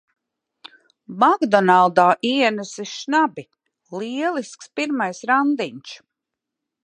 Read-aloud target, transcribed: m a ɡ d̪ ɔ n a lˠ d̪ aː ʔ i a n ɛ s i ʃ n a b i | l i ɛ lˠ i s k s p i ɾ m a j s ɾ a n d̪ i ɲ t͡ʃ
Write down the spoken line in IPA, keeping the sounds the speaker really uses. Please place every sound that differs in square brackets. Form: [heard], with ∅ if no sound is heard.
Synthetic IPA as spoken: m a ɡ d̪ ɔ n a lˠ d̪ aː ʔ i [ɛ] n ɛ s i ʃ n a b i | l i ɛ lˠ i s k s p i ɾ m a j s ɾ a n d̪ i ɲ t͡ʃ